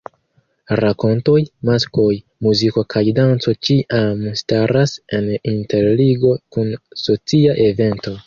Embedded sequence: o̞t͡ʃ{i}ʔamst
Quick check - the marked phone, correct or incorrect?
correct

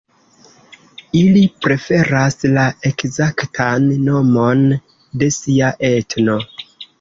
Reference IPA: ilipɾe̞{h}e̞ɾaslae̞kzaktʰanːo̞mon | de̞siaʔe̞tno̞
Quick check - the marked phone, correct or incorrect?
incorrect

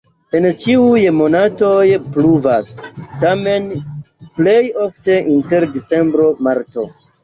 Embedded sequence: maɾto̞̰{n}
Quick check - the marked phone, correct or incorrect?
incorrect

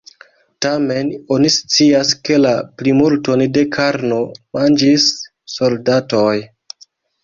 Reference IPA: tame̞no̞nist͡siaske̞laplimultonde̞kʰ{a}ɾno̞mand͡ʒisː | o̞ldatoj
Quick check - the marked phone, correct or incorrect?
correct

